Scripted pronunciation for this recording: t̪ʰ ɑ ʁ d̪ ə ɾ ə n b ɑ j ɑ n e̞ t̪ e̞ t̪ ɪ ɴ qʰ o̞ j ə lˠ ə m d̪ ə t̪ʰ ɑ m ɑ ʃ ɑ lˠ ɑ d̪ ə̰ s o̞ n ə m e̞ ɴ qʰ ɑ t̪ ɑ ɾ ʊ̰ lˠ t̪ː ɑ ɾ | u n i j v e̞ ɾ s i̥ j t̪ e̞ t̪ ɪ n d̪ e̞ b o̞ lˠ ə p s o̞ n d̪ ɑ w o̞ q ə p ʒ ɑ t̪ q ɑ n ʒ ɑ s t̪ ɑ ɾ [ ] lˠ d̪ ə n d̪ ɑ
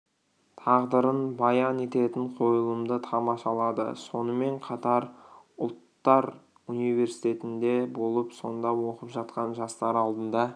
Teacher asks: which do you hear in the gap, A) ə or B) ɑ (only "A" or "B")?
B